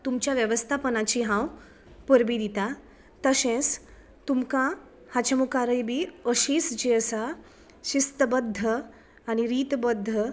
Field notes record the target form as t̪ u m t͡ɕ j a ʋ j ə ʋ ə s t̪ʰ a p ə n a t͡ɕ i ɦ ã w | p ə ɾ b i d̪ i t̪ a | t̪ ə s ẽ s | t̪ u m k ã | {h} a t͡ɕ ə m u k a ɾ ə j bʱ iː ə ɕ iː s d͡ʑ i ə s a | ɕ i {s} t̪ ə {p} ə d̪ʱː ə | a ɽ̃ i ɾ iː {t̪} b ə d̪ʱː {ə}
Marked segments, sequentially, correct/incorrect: correct, correct, incorrect, correct, correct

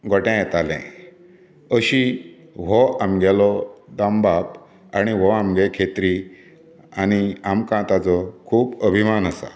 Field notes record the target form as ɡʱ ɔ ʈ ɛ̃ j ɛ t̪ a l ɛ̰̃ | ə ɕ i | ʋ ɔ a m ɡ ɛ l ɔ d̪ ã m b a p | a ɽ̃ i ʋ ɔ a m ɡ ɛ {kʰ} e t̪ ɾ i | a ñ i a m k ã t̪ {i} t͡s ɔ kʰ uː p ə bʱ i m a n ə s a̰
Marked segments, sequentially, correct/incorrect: correct, incorrect

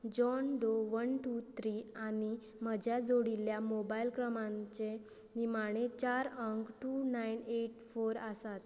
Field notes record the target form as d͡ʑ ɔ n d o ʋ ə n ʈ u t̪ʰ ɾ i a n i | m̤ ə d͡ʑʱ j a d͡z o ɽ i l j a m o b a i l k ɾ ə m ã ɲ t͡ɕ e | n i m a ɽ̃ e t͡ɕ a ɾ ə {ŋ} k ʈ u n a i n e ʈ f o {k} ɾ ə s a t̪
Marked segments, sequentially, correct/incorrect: correct, incorrect

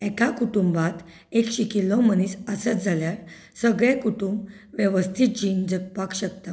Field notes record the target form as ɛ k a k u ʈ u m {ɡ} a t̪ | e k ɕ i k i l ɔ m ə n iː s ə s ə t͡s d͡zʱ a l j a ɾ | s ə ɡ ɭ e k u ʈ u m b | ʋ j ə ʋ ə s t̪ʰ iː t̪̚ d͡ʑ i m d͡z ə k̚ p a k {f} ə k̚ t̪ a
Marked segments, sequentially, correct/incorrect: incorrect, incorrect

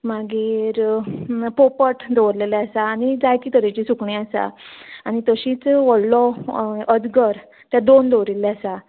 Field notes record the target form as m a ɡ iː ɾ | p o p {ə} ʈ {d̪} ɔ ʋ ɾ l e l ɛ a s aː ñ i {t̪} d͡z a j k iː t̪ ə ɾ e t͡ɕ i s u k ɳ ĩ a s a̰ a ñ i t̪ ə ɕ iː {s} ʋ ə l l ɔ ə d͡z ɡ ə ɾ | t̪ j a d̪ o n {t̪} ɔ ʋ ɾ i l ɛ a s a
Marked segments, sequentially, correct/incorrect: correct, correct, incorrect, incorrect, incorrect

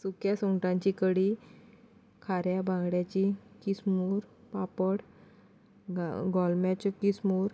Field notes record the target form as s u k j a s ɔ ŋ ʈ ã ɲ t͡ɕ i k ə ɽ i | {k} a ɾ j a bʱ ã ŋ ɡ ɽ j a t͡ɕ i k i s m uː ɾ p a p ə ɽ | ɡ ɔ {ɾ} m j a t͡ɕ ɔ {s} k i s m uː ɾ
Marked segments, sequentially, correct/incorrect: incorrect, incorrect, incorrect

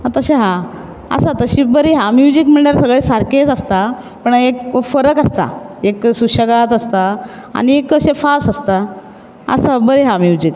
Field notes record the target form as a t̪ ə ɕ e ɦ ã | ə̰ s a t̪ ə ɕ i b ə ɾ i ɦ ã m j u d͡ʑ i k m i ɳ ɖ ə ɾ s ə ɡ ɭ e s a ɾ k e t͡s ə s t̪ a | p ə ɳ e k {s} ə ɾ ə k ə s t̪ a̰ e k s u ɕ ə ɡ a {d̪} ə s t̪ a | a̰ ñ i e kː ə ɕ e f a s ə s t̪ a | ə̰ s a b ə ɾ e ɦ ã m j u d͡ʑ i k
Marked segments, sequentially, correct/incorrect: incorrect, incorrect

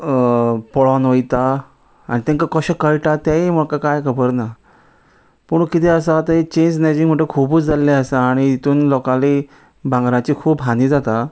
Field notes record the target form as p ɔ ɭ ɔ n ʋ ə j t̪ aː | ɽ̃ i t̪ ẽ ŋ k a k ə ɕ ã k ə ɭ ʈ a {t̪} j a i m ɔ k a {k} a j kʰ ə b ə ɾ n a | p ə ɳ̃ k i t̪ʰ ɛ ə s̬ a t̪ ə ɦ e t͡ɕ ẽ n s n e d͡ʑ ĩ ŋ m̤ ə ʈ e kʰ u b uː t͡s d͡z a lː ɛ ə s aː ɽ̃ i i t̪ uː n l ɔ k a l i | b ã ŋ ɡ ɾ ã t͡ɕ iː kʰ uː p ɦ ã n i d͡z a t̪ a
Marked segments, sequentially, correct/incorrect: correct, correct

